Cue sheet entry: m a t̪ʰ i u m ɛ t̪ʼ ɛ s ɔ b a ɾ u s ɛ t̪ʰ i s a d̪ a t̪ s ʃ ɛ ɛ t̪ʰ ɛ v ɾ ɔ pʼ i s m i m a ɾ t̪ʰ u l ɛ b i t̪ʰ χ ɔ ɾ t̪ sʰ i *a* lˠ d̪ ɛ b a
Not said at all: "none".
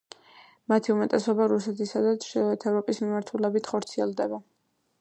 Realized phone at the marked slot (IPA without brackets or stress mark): ɛ